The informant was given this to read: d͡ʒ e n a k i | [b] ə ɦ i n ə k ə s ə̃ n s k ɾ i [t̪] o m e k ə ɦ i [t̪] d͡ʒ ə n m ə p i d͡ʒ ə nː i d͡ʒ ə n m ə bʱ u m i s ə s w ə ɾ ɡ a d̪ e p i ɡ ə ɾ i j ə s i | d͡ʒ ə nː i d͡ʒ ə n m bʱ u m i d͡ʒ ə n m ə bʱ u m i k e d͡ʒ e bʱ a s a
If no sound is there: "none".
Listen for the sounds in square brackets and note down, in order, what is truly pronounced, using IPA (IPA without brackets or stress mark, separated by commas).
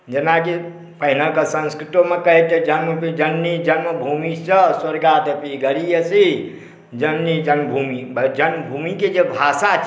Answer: p, t̪, t̪